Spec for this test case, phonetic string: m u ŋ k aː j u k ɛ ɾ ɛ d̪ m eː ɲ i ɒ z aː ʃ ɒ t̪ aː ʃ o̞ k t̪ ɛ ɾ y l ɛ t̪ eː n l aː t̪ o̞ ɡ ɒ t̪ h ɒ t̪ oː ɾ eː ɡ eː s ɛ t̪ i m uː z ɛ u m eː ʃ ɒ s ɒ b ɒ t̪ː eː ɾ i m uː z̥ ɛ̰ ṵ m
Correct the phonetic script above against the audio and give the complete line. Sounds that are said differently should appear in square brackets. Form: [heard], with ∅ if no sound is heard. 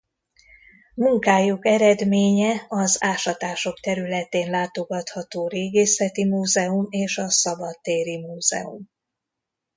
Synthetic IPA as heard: m u ŋ k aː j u k ɛ ɾ ɛ d̪ m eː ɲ [ɛ] ɒ z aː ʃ ɒ t̪ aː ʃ o̞ k t̪ ɛ ɾ y l ɛ t̪ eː n l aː t̪ o̞ ɡ ɒ t̪ h ɒ t̪ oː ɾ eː ɡ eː s ɛ t̪ i m uː z ɛ u m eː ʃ ɒ s ɒ b ɒ t̪ː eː ɾ i m uː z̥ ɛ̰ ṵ m